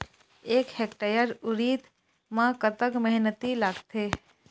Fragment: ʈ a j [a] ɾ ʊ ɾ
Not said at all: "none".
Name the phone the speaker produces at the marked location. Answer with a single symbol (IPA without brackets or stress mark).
ə